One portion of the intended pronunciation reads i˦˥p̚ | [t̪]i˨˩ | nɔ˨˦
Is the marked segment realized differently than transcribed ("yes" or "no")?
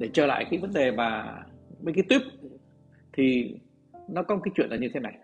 yes